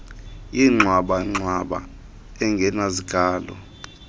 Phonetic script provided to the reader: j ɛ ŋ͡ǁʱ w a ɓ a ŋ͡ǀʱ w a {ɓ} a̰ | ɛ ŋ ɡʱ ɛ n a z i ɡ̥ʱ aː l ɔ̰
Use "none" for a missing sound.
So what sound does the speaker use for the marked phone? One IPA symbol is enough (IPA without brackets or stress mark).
ɓ